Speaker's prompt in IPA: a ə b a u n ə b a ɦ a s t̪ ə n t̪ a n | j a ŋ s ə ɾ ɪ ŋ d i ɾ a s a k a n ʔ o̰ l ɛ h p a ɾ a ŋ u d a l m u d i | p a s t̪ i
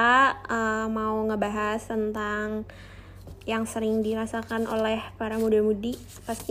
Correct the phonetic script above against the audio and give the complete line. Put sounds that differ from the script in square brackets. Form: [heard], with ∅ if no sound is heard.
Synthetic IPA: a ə [m] a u [ŋ] ə b a ɦ a s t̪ ə n t̪ a [ŋ] | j a ŋ s ə ɾ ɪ ŋ d i ɾ a s a k a n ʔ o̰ l ɛ h p a ɾ a [m] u d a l m u d i | p a s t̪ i